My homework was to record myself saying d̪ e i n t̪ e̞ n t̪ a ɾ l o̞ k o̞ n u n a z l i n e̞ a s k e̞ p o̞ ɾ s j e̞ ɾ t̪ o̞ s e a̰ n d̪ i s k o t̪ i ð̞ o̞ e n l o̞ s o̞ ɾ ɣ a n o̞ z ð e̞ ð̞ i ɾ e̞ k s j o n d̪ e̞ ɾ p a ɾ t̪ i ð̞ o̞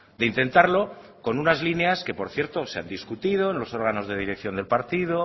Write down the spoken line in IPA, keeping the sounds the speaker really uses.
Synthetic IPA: d̪ e i n t̪ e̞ n t̪ a ɾ l o̞ k o̞ n u n a z l i n e̞ a s k e̞ p o̞ ɾ θ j e̞ ɾ t̪ o̞ s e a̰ n d̪ i s k u t̪ i ð̞ o̞ e n l o̞ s o̞ ɾ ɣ a n o̞ z ð e̞ ð̞ i ɾ e̞ k θ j o n d̪ e̞ l p a ɾ t̪ i ð̞ o̞